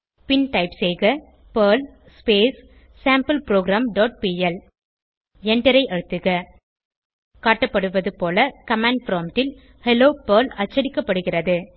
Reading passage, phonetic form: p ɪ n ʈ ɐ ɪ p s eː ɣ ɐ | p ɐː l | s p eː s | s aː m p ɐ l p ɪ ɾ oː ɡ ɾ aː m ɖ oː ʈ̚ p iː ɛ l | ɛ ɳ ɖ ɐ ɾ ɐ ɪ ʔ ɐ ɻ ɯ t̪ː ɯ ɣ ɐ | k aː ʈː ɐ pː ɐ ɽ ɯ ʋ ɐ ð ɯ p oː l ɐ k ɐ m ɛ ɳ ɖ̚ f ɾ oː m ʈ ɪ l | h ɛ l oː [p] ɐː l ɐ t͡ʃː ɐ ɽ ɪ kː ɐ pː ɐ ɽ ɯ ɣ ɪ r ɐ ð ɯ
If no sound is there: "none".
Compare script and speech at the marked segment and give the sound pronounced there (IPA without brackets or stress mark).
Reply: p